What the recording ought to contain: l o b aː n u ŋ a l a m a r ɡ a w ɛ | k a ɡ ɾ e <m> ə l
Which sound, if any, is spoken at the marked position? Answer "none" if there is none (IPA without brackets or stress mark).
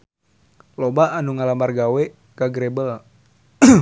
b